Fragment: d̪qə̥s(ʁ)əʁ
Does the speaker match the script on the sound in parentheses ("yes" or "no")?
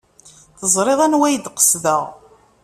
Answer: no